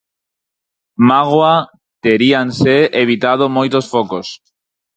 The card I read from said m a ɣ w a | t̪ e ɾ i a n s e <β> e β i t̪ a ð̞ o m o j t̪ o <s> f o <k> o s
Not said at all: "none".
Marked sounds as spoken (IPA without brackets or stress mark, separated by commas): none, s, k